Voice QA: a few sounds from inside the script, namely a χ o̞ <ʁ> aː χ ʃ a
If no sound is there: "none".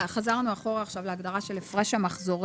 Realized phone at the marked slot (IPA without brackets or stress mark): ʁ